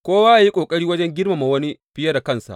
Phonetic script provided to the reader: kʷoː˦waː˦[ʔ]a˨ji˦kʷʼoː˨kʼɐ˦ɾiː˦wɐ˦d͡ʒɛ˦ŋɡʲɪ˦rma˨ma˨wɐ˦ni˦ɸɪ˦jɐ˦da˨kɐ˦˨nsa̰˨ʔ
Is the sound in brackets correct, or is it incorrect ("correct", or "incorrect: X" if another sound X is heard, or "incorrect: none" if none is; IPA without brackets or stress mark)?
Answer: correct